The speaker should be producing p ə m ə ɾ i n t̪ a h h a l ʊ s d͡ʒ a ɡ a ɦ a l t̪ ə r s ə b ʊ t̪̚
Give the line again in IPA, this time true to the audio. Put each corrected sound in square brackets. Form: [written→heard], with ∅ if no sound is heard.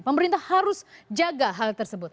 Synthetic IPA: p ə m ə ɾ i n t̪ a h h a [l→ɾ] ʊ s d͡ʒ a ɡ a ɦ a l t̪ ə r s ə b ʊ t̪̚